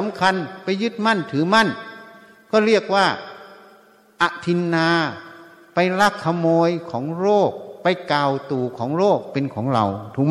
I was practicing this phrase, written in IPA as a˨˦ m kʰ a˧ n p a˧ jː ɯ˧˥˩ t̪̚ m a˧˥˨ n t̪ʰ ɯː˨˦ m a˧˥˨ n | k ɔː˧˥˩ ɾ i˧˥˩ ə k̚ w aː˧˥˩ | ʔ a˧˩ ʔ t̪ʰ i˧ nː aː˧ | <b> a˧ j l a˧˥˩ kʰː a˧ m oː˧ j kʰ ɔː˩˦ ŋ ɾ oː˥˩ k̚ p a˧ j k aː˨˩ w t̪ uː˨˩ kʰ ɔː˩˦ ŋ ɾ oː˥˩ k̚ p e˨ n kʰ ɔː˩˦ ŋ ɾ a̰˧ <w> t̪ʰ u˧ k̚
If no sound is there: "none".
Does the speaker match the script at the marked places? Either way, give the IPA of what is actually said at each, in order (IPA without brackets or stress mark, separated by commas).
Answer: p, w